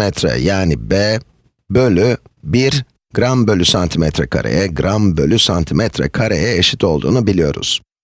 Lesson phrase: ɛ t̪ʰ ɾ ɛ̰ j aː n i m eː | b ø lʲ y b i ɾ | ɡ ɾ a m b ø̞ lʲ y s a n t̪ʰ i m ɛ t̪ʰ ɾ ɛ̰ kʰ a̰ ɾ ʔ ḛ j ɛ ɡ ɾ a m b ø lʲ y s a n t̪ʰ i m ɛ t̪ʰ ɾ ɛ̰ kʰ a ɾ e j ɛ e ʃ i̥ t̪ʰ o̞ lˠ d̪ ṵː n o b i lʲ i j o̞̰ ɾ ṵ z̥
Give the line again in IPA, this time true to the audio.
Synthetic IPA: ɛ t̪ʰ ɾ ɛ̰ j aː n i b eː | b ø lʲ y b i ɾ | ɡ ɾ a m b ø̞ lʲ y s a n t̪ʰ i m ɛ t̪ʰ ɾ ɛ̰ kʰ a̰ ɾ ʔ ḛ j ɛ ɡ ɾ a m b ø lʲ y s a n t̪ʰ i m ɛ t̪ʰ ɾ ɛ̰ kʰ a ɾ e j ɛ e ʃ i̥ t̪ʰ o̞ lˠ d̪ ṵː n u b i lʲ i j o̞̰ ɾ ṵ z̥